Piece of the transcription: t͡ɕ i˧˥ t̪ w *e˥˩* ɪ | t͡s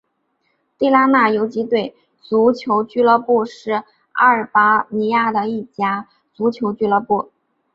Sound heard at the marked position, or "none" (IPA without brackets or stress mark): e˥˩